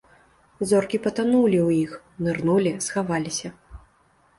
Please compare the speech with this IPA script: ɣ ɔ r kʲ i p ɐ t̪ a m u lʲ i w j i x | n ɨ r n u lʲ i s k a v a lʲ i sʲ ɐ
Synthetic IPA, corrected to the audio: z ɔ r kʲ i p ɐ t̪ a n u lʲ i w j i x | n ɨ r n u lʲ i s x a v a lʲ i sʲ ɐ